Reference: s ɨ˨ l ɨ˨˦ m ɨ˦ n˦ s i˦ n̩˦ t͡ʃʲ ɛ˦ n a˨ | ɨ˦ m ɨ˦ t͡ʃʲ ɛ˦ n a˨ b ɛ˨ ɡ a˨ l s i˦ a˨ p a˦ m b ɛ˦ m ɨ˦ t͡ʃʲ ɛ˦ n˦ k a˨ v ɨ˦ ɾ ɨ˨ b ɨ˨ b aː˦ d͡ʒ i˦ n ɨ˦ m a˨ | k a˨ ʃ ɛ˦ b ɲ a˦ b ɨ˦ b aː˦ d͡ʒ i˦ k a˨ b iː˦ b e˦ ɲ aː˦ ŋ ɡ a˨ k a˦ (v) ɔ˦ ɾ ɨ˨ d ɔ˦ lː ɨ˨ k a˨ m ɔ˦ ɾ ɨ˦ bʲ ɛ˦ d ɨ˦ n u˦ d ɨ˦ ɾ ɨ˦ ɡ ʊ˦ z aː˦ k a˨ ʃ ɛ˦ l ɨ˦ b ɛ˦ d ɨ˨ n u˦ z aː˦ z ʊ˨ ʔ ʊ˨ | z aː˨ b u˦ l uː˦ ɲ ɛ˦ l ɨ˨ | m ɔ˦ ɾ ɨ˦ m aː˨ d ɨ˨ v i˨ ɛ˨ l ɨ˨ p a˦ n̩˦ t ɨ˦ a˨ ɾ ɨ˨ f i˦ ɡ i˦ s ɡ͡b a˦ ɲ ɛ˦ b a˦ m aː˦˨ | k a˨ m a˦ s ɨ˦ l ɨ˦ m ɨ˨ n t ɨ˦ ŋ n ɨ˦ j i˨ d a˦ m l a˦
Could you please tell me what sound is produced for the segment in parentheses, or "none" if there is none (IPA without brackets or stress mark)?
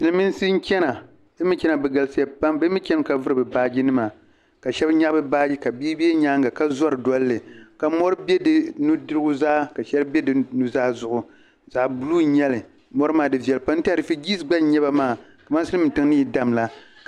z